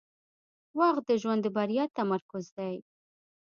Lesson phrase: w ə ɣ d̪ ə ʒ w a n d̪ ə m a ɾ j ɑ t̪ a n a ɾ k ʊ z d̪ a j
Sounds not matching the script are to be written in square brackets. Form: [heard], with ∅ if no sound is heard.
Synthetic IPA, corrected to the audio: w [ɑ] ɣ d̪ ə ʒ w a n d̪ ə [b] a ɾ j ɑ t̪ a [m] a ɾ k ʊ z d̪ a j